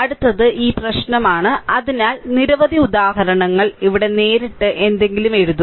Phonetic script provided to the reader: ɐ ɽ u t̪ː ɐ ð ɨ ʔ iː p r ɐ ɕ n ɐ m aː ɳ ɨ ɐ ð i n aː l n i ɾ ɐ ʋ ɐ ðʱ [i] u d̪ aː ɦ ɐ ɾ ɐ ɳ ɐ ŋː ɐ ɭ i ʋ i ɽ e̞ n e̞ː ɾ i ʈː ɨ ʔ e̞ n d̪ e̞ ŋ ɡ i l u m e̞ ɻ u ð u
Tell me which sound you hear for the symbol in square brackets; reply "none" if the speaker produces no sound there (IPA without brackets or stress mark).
i